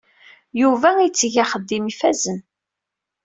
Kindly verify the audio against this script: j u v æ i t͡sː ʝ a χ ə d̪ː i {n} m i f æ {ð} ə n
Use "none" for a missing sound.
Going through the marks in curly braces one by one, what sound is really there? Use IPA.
none, z

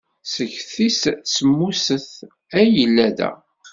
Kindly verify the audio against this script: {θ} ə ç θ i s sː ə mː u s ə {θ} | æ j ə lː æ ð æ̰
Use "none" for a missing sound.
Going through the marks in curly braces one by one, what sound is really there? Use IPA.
s, θ

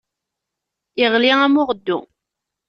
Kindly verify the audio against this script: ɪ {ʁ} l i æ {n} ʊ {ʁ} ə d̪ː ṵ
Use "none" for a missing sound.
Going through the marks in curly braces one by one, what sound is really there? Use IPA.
ʁ, m, ʁ

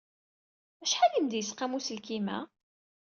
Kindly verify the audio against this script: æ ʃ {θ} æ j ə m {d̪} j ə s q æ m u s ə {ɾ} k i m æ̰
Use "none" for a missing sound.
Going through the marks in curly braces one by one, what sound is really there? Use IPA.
ħ, d̪, l

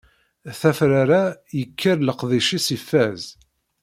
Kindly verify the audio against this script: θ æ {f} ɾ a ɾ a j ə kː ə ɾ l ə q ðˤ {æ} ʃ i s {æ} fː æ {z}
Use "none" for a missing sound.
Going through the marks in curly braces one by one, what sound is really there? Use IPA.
f, i, i, z

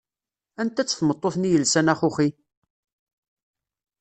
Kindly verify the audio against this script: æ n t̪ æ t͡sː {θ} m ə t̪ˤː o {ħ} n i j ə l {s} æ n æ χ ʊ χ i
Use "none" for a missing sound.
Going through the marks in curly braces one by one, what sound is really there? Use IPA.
θ, θ, s

